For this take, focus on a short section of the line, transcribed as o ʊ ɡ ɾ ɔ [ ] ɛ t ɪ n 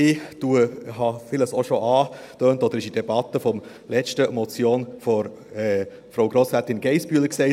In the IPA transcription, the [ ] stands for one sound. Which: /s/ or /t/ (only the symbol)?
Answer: s